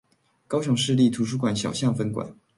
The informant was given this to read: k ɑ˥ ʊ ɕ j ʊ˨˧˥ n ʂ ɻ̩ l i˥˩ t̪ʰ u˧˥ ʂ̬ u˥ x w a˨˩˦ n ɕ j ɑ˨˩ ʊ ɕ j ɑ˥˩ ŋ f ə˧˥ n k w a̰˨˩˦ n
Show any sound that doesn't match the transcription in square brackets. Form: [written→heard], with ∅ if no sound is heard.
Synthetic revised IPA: k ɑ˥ ʊ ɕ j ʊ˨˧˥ [n→ŋ] ʂ ɻ̩ l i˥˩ t̪ʰ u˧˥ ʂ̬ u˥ [x→k] w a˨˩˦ n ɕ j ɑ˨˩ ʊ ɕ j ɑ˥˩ ŋ f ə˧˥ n k w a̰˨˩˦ n